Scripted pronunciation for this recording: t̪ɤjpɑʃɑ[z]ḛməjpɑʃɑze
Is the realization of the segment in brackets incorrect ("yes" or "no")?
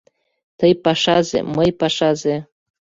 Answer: no